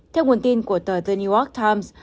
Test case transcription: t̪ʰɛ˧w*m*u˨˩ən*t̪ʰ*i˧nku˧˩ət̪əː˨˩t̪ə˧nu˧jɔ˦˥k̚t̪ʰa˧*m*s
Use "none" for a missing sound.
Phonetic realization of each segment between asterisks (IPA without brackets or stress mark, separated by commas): ŋ, t̪, m